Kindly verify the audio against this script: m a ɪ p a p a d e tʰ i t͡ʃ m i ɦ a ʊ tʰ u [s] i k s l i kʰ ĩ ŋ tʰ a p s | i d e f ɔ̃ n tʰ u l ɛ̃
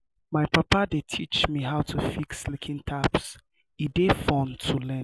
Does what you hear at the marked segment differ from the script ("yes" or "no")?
yes